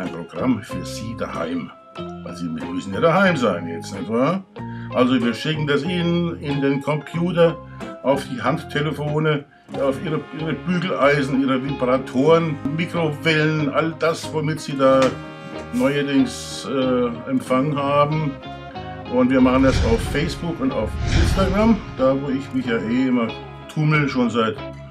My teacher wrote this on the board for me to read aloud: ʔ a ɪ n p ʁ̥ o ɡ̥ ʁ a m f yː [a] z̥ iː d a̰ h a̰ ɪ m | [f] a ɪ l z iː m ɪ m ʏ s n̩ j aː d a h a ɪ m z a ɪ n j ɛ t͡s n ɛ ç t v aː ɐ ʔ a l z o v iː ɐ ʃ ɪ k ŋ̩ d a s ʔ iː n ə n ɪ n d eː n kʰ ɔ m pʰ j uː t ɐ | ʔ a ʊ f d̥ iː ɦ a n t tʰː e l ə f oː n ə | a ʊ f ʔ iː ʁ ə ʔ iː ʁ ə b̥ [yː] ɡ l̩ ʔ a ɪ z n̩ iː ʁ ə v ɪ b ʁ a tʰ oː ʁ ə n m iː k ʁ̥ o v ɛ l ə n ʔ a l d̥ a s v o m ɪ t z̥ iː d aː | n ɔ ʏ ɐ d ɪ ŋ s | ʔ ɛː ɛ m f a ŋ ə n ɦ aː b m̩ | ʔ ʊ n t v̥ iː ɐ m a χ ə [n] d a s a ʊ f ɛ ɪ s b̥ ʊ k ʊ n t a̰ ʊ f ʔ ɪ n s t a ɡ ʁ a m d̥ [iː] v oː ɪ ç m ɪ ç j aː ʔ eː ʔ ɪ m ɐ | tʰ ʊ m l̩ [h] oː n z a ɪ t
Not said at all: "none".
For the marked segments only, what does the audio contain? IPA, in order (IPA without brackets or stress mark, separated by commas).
ɐ, v, yː, n, aː, ʃ